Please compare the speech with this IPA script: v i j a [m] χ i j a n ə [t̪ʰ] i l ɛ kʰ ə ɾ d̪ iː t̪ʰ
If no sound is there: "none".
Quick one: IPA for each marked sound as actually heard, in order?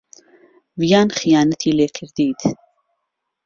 n, t̪ʰ

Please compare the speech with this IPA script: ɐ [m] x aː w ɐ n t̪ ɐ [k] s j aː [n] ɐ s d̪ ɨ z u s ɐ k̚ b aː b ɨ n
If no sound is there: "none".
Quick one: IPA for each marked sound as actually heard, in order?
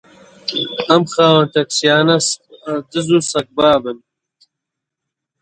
m, k, n

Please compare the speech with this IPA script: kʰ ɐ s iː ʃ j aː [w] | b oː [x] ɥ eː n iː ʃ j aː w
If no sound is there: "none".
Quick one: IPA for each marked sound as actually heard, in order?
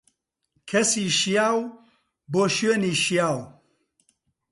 w, ʃ

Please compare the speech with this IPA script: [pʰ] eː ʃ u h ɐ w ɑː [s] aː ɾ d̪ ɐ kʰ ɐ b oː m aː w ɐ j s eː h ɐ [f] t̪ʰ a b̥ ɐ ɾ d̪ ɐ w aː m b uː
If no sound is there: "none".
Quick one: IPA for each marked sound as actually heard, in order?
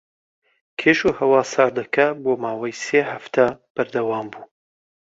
kʰ, s, f

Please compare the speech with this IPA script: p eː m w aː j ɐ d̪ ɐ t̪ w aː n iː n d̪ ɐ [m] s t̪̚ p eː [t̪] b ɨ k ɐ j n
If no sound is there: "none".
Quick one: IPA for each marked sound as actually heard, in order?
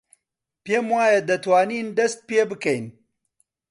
none, none

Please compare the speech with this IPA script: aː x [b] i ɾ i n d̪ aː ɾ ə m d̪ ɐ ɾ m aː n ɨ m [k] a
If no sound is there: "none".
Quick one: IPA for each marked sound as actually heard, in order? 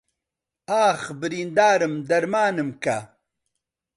b, k

